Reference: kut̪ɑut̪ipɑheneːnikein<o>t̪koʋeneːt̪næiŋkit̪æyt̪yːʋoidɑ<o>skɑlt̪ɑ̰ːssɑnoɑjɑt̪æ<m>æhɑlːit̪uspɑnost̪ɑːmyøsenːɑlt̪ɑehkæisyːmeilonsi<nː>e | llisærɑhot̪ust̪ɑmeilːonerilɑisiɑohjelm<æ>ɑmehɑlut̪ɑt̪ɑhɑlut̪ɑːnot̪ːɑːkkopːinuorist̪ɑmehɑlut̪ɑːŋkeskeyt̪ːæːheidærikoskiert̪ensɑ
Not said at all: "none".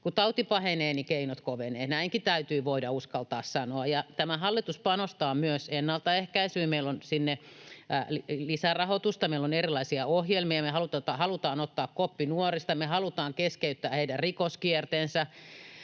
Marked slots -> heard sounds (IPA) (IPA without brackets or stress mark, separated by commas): o, u, m, nː, i